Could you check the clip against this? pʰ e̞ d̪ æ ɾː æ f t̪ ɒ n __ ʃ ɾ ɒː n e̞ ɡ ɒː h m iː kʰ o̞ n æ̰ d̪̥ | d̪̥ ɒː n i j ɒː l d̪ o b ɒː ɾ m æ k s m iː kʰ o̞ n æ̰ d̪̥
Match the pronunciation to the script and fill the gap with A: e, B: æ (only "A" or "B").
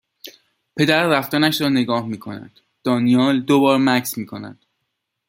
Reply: B